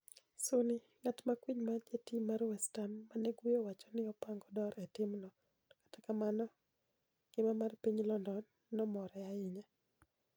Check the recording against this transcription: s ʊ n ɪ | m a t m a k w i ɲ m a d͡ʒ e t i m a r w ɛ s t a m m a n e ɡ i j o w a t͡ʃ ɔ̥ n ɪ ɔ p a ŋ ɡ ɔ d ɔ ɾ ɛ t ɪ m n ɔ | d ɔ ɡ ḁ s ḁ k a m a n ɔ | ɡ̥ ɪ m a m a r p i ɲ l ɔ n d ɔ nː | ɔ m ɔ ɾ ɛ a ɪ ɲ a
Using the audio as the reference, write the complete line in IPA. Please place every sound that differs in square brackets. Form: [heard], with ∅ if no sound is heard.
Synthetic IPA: s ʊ n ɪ | [ŋ] a t m a k w i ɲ m a d͡ʒ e t i m a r w ɛ s t a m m a n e ɡ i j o w a t͡ʃ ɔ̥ n ɪ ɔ p a ŋ ɡ ɔ d ɔ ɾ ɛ t ɪ m n ɔ | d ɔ [k] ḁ [t] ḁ k a m a n ɔ | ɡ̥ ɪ m a m a r p i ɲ l ɔ n d ɔ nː | ɔ m ɔ ɾ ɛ a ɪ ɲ a